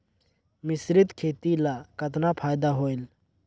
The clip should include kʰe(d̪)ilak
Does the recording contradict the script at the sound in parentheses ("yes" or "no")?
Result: yes